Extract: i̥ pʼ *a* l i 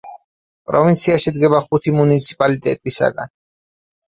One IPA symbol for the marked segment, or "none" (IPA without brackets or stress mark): a